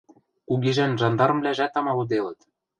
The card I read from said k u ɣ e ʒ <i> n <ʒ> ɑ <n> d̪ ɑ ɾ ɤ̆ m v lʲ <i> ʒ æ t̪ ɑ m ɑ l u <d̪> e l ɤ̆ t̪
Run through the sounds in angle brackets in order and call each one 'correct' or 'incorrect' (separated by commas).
incorrect, correct, correct, incorrect, correct